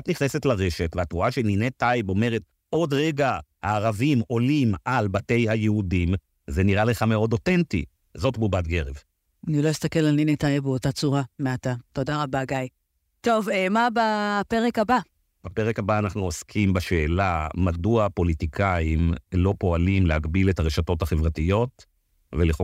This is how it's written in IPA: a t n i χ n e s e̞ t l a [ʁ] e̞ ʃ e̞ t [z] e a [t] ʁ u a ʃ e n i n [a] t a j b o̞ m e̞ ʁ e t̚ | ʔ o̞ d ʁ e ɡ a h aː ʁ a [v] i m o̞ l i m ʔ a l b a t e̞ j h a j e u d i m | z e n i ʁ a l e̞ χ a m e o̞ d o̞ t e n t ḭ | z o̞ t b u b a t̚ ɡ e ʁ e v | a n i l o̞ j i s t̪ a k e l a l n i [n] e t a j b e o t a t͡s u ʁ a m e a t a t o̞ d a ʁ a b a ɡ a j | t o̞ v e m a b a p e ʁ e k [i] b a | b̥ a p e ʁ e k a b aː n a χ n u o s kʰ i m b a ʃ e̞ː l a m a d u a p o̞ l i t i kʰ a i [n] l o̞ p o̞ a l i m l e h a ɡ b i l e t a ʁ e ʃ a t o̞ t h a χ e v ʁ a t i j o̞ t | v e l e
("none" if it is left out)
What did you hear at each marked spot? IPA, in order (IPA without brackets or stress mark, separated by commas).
ʁ, v, t, e, v, n, a, m